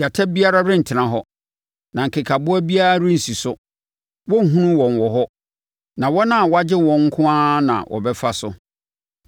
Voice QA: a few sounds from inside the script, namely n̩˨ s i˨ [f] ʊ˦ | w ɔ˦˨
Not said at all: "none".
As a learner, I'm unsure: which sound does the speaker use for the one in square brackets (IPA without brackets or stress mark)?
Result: s